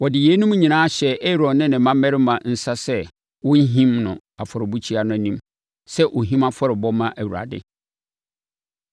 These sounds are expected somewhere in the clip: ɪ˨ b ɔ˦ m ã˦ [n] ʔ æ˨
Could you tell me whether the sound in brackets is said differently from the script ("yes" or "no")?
yes